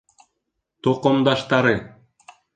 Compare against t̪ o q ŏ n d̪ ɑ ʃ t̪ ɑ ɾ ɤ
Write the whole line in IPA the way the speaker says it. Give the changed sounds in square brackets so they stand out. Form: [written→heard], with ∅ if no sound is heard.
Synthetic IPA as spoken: t̪ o q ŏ [n→m] d̪ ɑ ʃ t̪ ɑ ɾ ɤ